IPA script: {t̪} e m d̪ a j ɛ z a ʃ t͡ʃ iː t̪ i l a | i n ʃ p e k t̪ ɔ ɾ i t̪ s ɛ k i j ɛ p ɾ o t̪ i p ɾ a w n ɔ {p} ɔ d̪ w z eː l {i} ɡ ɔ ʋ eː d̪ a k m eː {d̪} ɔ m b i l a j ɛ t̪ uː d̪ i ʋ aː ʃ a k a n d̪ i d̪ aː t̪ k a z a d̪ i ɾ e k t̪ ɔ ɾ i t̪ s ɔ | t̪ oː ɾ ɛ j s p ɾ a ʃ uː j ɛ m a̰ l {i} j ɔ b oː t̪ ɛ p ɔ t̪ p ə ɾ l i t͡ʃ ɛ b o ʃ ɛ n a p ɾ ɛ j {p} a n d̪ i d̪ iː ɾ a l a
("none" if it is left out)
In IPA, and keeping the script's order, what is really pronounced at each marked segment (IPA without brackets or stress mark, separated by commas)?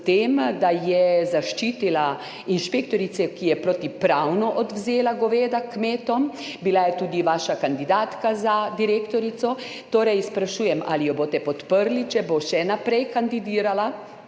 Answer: t̪, ʔ, a, t̪, i, k